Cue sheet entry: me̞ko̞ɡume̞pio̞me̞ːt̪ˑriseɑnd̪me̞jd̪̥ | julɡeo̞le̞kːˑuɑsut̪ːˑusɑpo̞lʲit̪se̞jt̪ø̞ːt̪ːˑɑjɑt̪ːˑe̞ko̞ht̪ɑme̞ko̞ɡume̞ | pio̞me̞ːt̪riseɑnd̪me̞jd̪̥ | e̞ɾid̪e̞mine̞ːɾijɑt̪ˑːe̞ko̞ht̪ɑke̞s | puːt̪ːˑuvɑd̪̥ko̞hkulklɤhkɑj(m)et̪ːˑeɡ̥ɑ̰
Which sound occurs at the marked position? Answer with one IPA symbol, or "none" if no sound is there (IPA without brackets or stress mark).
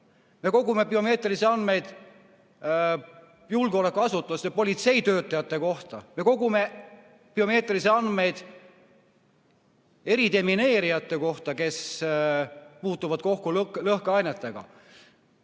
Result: n